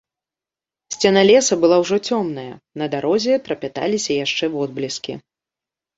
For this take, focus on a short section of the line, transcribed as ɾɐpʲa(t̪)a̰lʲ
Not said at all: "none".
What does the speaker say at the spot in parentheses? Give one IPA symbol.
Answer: t̪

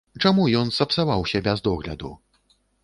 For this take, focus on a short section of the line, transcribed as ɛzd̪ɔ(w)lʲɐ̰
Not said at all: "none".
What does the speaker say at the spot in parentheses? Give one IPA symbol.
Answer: ɣ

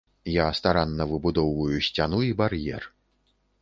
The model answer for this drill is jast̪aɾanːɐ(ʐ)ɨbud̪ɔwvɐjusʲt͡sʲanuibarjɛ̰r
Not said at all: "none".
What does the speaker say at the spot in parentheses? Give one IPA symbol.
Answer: v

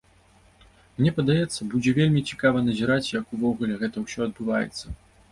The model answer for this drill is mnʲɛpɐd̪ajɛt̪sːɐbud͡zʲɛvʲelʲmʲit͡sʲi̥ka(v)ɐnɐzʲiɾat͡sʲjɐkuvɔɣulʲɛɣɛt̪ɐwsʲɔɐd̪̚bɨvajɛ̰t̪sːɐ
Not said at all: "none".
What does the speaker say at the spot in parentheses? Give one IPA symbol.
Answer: v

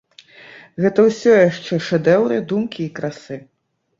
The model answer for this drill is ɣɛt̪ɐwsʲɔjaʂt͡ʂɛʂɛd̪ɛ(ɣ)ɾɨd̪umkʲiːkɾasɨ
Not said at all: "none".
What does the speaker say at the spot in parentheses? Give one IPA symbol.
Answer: w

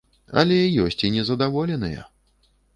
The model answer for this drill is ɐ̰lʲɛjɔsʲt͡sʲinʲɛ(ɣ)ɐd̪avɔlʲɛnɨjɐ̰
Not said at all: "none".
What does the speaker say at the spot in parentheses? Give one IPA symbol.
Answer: z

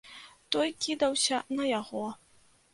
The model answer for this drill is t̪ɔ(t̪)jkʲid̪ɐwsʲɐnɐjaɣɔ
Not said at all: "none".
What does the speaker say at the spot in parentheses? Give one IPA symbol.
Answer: none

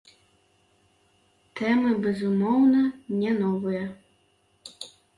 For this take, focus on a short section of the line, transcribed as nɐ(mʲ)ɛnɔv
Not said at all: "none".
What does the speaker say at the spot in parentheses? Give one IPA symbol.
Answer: nʲ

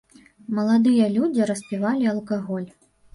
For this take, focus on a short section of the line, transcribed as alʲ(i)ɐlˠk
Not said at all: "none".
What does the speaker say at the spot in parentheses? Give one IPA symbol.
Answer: i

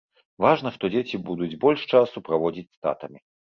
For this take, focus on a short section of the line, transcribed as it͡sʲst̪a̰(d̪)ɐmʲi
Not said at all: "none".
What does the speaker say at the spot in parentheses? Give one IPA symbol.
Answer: t̪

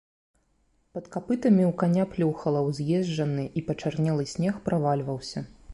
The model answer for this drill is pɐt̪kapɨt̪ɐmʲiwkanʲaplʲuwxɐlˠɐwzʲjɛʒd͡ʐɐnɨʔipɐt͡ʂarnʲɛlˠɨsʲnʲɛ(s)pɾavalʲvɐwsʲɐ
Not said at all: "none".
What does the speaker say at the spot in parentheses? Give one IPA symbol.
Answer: x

